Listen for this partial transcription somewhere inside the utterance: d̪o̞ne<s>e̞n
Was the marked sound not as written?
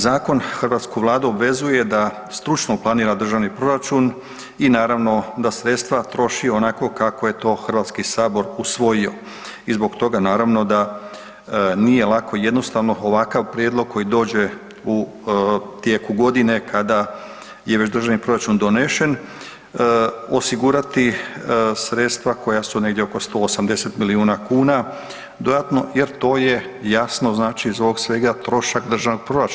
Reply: yes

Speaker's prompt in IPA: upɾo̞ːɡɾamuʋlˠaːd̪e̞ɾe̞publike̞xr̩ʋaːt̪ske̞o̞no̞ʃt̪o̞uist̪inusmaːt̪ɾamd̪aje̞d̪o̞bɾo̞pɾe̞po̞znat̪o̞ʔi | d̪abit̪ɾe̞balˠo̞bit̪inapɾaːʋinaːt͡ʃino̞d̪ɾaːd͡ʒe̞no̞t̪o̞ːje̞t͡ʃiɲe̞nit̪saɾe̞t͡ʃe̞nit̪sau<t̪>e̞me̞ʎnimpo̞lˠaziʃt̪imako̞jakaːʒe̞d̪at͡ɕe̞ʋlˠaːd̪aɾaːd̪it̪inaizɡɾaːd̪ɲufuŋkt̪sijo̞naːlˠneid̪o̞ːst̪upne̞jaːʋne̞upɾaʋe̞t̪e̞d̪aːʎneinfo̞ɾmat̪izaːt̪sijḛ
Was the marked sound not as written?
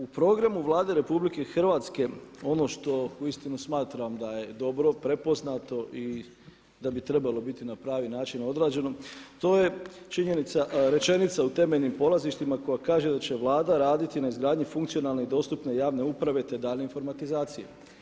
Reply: no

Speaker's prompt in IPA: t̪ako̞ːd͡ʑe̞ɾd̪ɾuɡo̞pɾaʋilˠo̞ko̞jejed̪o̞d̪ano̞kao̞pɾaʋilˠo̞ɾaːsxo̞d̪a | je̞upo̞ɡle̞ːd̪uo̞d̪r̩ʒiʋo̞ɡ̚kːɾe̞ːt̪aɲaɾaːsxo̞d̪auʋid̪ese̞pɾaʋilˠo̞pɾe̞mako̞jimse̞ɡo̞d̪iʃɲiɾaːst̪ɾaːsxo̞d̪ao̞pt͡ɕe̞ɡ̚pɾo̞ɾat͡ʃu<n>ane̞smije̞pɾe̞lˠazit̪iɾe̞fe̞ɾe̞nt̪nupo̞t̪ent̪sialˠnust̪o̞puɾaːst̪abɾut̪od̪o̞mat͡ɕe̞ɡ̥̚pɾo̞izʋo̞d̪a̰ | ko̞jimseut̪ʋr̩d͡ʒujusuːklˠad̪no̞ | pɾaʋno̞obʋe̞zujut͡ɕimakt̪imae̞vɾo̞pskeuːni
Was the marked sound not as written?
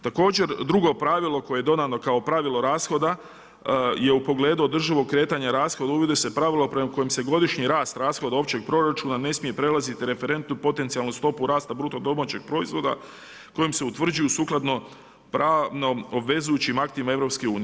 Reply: no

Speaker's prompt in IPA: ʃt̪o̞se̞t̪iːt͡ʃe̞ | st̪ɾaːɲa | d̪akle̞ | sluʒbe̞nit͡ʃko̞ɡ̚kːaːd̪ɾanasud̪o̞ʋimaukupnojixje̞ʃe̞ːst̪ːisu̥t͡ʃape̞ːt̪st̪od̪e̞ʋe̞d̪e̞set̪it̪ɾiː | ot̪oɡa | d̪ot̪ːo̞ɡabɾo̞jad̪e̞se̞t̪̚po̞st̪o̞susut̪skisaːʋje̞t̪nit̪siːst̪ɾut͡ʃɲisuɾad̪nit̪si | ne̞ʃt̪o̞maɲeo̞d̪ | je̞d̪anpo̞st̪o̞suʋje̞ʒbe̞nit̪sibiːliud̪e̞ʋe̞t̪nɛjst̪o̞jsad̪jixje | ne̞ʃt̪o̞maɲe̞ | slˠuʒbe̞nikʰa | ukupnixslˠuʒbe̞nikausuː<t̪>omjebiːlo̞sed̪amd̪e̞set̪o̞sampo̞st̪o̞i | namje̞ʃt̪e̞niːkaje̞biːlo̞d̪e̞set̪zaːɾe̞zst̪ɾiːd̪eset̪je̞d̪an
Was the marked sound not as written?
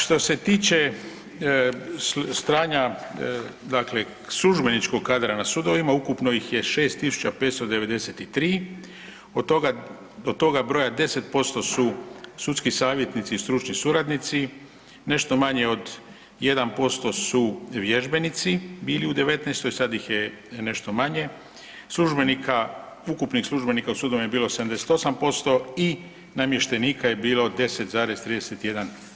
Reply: yes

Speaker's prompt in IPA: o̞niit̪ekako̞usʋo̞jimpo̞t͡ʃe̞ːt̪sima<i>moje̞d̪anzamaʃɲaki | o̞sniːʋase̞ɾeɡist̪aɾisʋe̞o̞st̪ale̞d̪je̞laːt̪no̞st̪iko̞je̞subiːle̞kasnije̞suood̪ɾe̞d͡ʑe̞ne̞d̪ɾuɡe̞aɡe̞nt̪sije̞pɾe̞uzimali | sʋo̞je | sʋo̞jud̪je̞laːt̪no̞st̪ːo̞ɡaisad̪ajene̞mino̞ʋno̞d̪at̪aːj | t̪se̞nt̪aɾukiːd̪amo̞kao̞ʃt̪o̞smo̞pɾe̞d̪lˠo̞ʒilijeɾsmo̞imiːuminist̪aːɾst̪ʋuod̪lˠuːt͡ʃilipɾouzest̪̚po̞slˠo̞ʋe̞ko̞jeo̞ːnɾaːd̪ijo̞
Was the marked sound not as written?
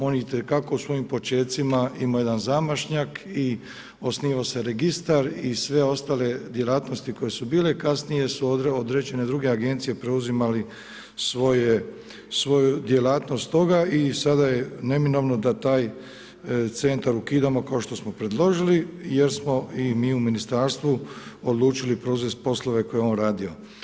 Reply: no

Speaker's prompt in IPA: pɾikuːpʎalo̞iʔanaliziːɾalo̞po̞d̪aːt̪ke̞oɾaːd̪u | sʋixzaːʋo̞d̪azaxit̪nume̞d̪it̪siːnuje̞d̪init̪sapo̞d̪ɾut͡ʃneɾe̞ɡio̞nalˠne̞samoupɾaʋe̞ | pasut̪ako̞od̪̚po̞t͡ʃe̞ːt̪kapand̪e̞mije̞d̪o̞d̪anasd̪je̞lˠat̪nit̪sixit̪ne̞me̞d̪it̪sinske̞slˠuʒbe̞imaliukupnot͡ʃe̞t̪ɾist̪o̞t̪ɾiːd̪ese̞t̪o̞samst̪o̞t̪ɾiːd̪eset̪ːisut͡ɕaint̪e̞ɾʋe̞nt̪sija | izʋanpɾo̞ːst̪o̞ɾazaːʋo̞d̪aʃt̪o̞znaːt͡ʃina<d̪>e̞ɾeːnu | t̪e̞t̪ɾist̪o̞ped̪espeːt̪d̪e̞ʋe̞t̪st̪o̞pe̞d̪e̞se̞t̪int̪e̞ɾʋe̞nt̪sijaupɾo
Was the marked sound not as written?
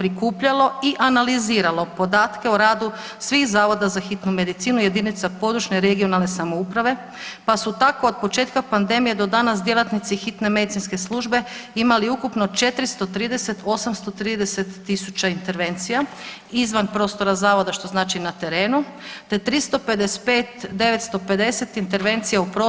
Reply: yes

